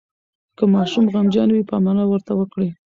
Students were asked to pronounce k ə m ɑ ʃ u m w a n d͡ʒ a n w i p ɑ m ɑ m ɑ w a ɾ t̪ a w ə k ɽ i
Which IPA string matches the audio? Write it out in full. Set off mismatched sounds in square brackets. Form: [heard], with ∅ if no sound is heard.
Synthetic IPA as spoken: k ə m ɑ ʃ u m [ɣ] a [m] d͡ʒ [ɑ] n w i p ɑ m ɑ [n] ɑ w [ə] ɾ t̪ a w ə k ɽ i